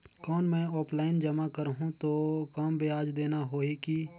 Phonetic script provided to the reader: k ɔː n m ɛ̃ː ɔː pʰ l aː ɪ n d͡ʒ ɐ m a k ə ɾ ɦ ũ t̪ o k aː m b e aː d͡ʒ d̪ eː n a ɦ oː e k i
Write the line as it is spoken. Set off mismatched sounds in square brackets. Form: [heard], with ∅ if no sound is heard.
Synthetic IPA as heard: k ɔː n m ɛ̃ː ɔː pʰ l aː ɪ n d͡ʒ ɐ m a k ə ɾ ɦ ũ t̪ o k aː m b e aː d͡ʒ d̪ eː n a ɦ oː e k i